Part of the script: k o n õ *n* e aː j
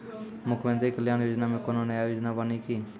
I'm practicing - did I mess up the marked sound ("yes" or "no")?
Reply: no